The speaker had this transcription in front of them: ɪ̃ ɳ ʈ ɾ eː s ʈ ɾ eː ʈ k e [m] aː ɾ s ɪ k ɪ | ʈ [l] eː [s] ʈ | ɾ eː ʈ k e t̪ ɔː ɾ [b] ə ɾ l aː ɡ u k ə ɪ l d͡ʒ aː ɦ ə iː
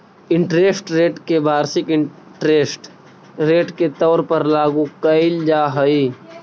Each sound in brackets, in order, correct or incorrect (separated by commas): incorrect, incorrect, correct, incorrect